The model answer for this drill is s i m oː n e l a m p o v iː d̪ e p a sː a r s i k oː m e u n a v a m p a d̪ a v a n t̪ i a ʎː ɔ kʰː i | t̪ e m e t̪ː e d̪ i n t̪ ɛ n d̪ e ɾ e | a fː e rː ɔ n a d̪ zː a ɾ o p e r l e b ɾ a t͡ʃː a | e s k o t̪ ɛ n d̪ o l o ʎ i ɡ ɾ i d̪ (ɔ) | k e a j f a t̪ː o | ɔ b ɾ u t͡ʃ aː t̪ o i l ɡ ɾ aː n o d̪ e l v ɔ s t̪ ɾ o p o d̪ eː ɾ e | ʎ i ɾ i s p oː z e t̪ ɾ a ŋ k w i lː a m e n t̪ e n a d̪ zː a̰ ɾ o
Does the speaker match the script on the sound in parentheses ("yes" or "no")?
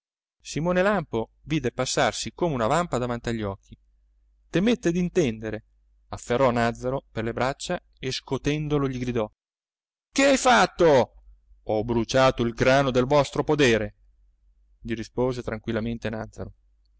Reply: yes